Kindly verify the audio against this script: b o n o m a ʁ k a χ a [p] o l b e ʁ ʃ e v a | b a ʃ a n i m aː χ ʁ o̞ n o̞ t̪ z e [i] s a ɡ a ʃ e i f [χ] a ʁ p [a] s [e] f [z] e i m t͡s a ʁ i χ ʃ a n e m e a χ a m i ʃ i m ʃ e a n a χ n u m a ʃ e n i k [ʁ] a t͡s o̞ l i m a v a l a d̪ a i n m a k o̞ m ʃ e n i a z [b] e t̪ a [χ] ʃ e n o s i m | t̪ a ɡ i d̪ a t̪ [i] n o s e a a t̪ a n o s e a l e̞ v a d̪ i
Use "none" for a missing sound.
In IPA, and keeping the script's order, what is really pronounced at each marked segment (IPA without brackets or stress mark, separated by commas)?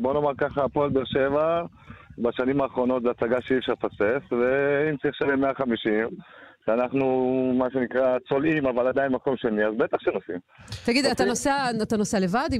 p, a, ʃ, a, e, v, ʁ, b, χ, a